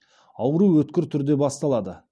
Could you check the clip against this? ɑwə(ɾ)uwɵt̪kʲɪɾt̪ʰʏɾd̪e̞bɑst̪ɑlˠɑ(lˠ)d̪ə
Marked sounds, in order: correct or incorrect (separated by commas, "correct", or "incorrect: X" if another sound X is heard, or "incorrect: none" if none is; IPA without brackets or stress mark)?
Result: correct, incorrect: none